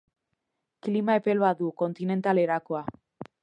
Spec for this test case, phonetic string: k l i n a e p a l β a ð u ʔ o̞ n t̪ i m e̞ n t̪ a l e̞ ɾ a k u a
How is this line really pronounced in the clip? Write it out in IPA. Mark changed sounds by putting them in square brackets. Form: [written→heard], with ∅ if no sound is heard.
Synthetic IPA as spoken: k l i [n→m] a e p [a→e] l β a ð u [ʔ→k] o̞ n t̪ i [m→n] e̞ n t̪ a l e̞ ɾ a k [u→o] a